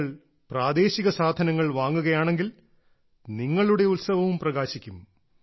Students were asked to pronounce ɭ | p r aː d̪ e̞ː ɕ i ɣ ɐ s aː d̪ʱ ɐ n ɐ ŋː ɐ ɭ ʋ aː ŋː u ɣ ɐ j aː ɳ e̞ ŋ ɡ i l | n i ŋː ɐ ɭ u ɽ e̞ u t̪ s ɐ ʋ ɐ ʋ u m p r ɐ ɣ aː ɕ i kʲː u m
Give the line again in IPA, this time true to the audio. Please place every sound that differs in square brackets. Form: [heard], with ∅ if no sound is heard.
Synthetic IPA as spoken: ɭ | p r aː d̪ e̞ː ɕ i ɣ ɐ s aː d̪ʱ ɐ n ɐ ŋː ɐ ɭ ʋ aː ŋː u ɣ ɐ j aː ɳ e̞ ŋ ɡ i l | n i ŋː ɐ ɭ u ɽ e̞ u t̪ s ɐ ʋ ɐ ʋ u m p r ɐ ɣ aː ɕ i kʲː u m